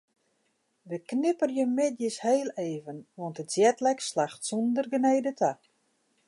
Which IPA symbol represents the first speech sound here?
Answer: ʋ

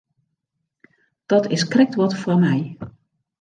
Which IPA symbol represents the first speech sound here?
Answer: d̥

